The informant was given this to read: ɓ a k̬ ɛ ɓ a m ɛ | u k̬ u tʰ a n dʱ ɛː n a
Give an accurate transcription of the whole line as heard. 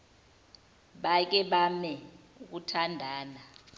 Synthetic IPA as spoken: ɓ a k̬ ɛ ɓ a m ɛ | u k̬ u tʰ a n dʱ aː n a